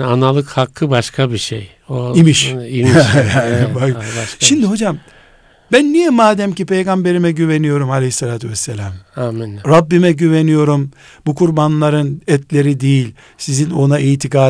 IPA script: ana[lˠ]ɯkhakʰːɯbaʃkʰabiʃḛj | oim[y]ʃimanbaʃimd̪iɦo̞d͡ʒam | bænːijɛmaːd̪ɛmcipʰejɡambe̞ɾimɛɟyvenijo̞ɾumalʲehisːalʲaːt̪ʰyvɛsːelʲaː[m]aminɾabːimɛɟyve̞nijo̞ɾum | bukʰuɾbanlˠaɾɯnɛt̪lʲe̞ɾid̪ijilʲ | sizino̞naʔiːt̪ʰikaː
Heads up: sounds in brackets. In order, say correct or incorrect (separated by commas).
correct, incorrect, correct